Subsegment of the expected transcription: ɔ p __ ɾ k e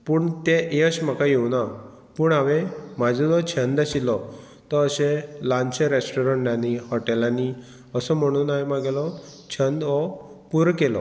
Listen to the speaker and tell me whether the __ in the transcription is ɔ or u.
u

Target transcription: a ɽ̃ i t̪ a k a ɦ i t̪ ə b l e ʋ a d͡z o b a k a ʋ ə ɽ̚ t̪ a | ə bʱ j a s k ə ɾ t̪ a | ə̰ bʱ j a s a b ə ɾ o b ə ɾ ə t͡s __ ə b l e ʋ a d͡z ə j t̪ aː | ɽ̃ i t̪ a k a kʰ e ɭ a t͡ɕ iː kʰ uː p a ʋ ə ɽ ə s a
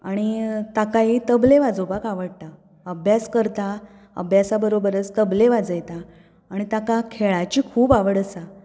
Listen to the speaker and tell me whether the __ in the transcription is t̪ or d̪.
t̪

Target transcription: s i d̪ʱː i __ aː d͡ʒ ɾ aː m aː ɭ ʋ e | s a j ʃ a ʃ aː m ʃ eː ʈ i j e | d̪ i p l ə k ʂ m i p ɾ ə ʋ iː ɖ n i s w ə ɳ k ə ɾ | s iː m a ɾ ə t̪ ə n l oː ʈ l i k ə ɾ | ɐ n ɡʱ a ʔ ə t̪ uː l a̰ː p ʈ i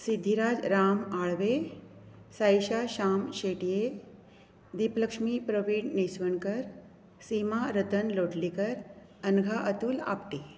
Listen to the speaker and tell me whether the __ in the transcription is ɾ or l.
ɾ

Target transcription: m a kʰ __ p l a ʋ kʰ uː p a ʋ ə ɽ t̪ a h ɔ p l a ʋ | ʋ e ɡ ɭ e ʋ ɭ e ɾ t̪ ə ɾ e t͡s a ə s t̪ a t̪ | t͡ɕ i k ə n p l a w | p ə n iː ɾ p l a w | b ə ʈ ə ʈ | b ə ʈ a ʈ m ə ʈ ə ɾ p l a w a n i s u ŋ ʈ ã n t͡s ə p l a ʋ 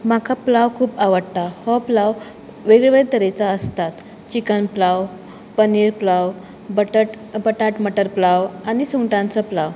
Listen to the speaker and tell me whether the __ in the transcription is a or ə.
a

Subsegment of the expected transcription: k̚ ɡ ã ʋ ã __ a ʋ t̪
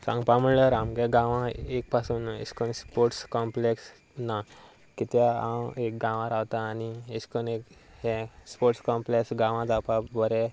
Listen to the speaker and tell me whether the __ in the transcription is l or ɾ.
ɾ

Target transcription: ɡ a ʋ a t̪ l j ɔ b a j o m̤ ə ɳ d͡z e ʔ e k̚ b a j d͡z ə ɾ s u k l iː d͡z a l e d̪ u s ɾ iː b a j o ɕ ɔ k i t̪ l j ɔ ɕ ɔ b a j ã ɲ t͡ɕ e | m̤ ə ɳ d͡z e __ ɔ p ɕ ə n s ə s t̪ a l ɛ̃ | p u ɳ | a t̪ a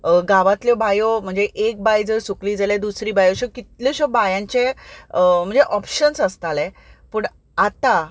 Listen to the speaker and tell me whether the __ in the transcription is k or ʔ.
ʔ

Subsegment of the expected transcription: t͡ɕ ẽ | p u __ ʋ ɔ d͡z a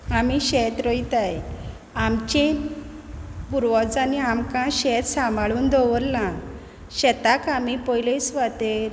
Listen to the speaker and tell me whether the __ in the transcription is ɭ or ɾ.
ɾ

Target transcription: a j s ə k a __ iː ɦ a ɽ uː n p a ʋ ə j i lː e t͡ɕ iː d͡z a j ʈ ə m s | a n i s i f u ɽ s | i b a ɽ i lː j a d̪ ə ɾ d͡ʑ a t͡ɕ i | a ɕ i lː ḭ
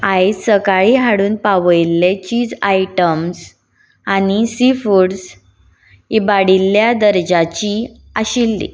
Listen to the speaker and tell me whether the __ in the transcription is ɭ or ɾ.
ɭ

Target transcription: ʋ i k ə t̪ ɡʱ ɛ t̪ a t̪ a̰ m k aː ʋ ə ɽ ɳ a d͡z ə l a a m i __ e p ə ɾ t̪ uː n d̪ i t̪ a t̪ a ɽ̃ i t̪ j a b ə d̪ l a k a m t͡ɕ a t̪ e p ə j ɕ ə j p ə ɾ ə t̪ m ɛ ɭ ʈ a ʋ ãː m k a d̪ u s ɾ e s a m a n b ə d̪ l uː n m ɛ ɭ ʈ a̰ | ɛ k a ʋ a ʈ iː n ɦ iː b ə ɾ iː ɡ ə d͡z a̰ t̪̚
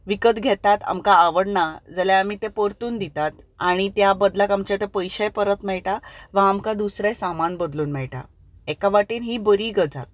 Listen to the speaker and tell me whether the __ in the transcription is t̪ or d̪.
t̪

